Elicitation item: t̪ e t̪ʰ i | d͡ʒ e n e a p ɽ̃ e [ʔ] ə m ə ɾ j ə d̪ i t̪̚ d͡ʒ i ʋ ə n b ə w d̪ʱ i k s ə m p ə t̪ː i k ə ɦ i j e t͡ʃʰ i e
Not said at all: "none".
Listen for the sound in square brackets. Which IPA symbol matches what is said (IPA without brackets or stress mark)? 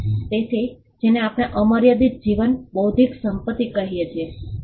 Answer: ʔ